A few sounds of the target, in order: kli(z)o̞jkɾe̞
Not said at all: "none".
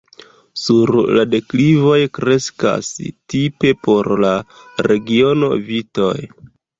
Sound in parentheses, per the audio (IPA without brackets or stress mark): v